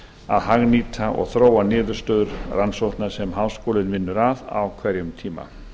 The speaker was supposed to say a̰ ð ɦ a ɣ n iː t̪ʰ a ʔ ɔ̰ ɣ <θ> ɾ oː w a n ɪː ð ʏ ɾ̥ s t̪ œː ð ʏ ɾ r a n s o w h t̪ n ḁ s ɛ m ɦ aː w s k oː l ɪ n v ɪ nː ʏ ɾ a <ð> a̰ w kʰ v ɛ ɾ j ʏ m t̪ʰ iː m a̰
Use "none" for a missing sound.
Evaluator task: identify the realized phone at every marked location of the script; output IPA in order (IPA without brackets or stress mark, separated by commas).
θ, ð